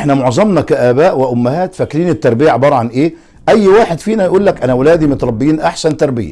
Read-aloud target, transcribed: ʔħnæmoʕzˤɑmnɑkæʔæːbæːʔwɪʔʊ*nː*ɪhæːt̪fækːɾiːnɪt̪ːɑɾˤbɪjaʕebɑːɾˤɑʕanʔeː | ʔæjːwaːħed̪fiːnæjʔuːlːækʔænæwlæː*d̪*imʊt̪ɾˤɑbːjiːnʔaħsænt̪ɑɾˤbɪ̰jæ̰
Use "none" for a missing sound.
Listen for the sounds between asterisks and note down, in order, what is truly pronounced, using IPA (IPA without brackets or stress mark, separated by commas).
mː, d̪